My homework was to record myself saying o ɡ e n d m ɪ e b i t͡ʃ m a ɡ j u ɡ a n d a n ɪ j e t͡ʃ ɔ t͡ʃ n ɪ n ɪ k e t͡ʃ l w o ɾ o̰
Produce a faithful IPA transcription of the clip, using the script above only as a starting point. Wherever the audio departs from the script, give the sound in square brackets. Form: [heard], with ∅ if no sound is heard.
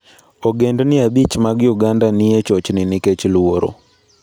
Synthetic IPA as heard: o ɡ e n d [n] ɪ [a] b i t͡ʃ m a ɡ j u ɡ a n d a n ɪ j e t͡ʃ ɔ t͡ʃ n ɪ n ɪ k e t͡ʃ l w o ɾ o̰